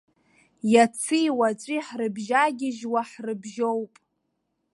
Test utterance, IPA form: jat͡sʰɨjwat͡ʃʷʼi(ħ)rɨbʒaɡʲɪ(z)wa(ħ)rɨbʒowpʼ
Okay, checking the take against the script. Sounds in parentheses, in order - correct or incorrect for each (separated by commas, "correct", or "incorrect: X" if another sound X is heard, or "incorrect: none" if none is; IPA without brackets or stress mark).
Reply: correct, incorrect: ʒ, correct